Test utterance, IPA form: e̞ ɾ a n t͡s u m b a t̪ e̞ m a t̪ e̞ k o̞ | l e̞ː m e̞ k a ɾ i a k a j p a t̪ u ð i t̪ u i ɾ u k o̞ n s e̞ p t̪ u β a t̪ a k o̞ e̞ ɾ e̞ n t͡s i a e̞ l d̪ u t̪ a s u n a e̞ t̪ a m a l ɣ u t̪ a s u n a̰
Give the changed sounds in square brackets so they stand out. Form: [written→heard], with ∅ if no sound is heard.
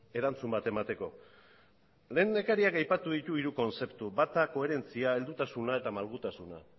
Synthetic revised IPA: e̞ ɾ a n t͡s u m b a t̪ e̞ m a t̪ e̞ k o̞ | l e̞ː [m→n] e̞ k a ɾ i a k a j p a t̪ u ð i t̪ u i ɾ u k o̞ n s e̞ p t̪ u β a t̪ a k o̞ e̞ ɾ e̞ n t͡s i a e̞ l d̪ u t̪ a s u n a e̞ t̪ a m a l ɣ u t̪ a s u n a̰